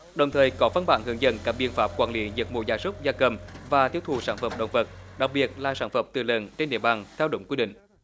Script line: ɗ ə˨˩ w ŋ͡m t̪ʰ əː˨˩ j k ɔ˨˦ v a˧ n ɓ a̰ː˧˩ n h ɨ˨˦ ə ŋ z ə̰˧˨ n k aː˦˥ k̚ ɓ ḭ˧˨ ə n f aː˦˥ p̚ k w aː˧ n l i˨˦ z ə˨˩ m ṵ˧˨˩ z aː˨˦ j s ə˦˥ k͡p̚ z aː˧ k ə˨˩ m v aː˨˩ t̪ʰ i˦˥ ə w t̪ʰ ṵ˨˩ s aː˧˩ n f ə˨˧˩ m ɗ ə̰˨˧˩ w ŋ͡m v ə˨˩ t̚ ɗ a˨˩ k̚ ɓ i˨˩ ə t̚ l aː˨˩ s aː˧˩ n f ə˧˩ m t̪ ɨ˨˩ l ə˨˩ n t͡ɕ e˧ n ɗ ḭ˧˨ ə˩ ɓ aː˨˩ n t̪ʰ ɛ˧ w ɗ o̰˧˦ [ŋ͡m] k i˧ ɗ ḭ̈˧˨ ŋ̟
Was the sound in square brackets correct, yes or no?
yes